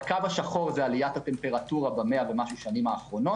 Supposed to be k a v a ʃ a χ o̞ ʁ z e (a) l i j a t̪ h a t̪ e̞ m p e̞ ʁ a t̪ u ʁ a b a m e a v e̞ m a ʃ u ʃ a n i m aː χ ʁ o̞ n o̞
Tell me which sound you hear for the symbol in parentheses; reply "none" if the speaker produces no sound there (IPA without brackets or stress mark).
a